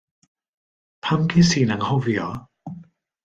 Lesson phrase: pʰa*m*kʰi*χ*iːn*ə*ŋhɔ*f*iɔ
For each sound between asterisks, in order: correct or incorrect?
correct, incorrect: s, incorrect: a, incorrect: v

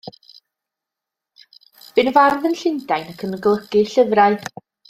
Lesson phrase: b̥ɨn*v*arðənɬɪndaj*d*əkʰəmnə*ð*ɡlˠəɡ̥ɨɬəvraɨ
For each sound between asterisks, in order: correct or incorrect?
correct, incorrect: n, incorrect: none

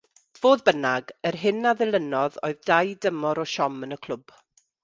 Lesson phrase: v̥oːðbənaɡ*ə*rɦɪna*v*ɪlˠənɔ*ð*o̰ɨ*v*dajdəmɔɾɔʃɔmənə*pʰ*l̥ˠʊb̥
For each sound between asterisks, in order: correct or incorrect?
correct, incorrect: ð, correct, incorrect: ð, incorrect: kʰ

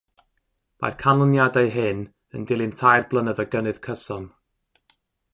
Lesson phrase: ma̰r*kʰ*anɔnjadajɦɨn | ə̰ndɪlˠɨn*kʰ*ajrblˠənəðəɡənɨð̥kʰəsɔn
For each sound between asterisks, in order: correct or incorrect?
correct, incorrect: tʰ

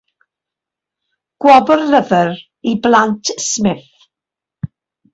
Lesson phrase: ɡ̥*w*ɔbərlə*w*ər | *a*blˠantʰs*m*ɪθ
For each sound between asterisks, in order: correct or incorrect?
correct, incorrect: v, incorrect: i, correct

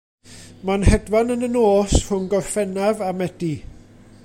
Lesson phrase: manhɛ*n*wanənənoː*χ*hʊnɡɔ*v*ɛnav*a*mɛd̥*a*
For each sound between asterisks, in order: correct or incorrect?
incorrect: d, incorrect: s, incorrect: f, correct, incorrect: i

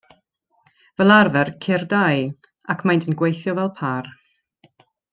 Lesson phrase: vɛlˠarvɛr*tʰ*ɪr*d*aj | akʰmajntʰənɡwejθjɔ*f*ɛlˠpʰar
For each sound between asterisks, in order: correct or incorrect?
incorrect: kʰ, correct, incorrect: v

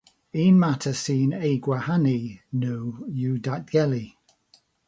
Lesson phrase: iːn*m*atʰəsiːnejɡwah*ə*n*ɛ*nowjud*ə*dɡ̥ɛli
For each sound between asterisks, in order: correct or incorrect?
correct, incorrect: a, incorrect: i, incorrect: a

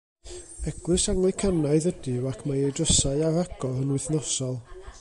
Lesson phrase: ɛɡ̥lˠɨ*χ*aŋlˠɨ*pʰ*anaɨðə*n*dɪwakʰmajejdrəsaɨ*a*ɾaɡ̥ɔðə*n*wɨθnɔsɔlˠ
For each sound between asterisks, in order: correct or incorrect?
incorrect: s, incorrect: kʰ, incorrect: none, correct, correct

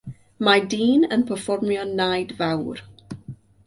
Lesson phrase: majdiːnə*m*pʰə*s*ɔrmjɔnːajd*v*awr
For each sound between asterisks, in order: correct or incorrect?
incorrect: n, incorrect: f, correct

